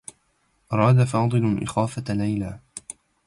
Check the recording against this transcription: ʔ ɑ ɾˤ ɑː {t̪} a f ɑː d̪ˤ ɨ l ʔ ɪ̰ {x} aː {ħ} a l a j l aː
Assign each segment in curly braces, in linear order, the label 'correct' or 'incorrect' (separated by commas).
incorrect, correct, incorrect